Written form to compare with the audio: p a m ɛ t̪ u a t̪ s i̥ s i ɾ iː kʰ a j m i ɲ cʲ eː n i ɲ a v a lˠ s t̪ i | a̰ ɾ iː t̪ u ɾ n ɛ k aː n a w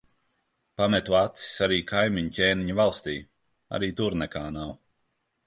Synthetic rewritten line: p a m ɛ t̪ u a t̪ s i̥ s a ɾ iː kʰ a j m i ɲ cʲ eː n i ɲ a v a lˠ s t̪ iː | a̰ ɾ iː t̪ u ɾ n ɛ k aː n a w